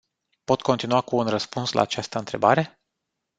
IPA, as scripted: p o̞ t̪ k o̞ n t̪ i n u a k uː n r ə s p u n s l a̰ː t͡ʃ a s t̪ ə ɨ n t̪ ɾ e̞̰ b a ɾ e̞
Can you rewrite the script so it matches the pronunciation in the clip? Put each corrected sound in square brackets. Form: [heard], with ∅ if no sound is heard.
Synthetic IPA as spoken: p o̞ t̪ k o̞ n t̪ i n u a k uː n r ə s p u n s l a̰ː t͡ʃ a s t̪ ə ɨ n t̪ ɾ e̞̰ b a ɾ e̞